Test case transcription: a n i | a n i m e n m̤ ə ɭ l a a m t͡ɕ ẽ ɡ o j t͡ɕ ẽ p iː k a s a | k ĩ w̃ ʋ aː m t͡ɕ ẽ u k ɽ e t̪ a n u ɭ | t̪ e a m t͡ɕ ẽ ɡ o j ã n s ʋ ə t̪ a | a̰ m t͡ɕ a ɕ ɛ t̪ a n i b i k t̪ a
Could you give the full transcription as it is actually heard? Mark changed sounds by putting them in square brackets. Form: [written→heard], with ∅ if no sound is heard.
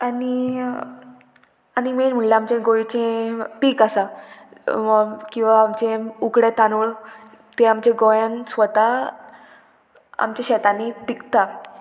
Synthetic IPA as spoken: a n i | a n i m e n m̤ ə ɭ l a a m t͡ɕ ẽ ɡ o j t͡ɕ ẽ p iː k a s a | k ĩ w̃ ʋ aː m t͡ɕ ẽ u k ɽ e t̪ a n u ɭ | t̪ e a m t͡ɕ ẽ ɡ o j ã n s ʋ ə t̪ a | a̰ m t͡ɕ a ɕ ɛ t̪ a n i [b→p] i k t̪ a